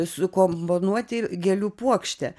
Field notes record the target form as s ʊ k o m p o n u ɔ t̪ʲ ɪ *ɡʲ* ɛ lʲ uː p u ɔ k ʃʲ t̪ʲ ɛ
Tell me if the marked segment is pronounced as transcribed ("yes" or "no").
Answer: yes